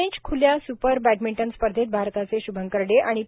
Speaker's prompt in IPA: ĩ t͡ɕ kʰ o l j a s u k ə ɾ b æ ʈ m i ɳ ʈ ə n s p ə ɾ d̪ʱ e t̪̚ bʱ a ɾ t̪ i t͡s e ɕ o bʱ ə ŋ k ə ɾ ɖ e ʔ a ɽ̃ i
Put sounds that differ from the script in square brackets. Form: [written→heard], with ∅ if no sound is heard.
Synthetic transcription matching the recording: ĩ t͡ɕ kʰ [o→u] l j a s u [k→p] ə ɾ b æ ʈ m i ɳ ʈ ə n s p ə ɾ d̪ʱ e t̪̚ bʱ a ɾ t̪ [i→a] t͡s e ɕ [o→u] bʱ ə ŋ k ə ɾ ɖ e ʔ a ɽ̃ i